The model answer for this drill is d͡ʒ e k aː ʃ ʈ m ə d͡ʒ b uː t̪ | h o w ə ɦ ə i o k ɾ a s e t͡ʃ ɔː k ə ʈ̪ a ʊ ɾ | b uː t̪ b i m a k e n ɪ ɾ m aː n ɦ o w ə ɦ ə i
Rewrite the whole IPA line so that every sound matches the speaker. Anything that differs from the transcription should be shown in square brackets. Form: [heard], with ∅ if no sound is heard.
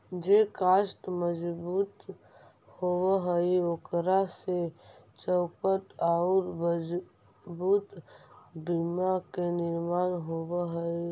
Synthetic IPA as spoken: d͡ʒ e k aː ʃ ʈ m ə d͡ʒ b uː t̪ | h o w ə ɦ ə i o k ɾ a s e t͡ʃ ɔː k ə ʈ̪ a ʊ ɾ | b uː t̪ b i m a k e n ɪ ɾ m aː n ɦ o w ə ɦ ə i